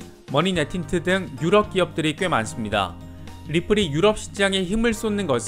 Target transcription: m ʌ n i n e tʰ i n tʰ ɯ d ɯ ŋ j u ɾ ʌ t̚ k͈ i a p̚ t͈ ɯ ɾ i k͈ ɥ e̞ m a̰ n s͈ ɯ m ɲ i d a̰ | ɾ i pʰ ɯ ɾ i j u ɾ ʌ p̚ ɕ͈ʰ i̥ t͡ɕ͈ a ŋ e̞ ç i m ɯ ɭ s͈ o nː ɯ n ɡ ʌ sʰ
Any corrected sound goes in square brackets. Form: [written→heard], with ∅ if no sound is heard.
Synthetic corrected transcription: m ʌ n i n e tʰ i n tʰ ɯ d ɯ ŋ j u ɾ ʌ [t̚→p̚] k͈ i [a→ʌ] p̚ t͈ ɯ ɾ i k͈ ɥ e̞ m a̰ n s͈ ɯ m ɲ i d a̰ | ɾ i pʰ ɯ ɾ i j u ɾ ʌ p̚ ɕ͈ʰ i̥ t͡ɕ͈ a ŋ e̞ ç i m ɯ ɭ s͈ o nː ɯ n ɡ ʌ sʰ